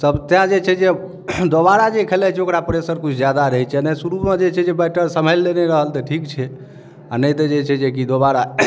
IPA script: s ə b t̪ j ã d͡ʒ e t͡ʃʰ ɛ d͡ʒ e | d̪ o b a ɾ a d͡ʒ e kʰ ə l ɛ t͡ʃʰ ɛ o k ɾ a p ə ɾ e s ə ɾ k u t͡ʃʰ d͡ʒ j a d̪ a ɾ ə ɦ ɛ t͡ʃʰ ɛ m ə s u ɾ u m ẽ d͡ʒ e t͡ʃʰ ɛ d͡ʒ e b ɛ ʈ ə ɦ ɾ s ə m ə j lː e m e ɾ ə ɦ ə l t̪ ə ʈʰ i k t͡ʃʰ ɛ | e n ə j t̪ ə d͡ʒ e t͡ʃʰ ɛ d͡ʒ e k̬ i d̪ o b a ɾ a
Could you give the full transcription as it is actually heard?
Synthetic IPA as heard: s ə b t̪ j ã d͡ʒ e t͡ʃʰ ɛ d͡ʒ e | d̪ o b a ɾ a d͡ʒ e kʰ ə l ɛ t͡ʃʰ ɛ o k ɾ a p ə ɾ e s ə ɾ k u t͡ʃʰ d͡ʒ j a d̪ a ɾ ə ɦ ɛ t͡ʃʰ ɛ n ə s u ɾ u m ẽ d͡ʒ e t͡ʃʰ ɛ d͡ʒ e b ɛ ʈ ə ɾ s ə m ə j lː e n e ɾ ə ɦ ə l t̪ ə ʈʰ i k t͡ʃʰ ɛ | a n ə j t̪ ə d͡ʒ e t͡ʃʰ ɛ d͡ʒ e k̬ i d̪ o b a ɾ a